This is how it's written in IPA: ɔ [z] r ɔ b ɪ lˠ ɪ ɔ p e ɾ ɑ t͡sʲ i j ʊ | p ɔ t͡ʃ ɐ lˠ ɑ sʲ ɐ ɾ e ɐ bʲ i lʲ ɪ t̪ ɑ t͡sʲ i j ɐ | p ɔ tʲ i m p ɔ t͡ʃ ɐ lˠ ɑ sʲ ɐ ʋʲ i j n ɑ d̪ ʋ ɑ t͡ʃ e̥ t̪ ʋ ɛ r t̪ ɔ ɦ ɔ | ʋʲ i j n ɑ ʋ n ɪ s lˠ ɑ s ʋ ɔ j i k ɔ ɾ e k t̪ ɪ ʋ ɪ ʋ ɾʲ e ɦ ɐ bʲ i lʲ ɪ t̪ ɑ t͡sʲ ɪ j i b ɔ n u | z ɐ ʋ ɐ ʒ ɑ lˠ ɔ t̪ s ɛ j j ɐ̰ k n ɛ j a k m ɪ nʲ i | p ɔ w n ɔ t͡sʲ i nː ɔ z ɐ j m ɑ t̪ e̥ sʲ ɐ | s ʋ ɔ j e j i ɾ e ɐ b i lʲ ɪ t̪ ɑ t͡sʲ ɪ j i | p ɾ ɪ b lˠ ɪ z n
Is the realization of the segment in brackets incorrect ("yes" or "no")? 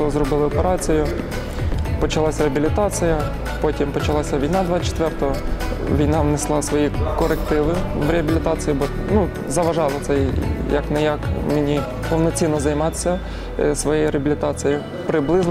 no